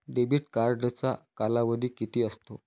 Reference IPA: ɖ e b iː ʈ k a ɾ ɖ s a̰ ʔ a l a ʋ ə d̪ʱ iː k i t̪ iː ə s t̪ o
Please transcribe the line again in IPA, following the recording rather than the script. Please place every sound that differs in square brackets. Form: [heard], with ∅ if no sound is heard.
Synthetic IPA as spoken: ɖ e b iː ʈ k a ɾ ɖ [t͡s] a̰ [k] a l a ʋ ə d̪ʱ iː k i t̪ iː ə s t̪ o